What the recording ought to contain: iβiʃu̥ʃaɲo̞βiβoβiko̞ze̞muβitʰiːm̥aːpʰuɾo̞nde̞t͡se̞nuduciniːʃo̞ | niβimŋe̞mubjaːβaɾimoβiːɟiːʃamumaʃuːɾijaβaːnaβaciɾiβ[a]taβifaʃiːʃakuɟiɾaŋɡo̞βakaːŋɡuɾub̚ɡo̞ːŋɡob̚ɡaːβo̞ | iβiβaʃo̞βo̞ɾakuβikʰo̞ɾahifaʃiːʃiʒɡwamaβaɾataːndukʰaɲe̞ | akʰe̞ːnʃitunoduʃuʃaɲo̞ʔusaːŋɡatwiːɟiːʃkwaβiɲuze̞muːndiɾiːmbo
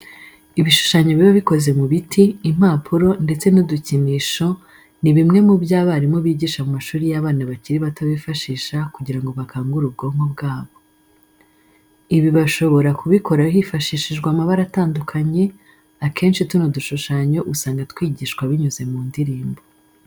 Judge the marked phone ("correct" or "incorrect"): correct